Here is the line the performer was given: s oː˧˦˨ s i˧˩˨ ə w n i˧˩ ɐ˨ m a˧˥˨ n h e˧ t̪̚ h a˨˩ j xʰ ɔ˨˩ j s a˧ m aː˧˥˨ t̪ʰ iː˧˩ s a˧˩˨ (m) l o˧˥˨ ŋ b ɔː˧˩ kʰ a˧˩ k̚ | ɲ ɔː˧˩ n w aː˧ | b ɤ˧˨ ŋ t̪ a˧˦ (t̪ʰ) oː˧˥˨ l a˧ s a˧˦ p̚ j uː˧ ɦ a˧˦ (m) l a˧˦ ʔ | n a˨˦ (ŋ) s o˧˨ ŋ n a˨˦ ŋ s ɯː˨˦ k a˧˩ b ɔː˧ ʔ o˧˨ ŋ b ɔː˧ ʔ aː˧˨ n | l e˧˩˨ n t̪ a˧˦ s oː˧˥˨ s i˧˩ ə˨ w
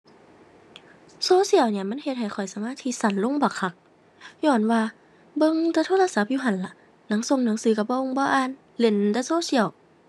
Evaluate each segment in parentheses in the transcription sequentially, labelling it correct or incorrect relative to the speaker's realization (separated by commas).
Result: incorrect, correct, incorrect, correct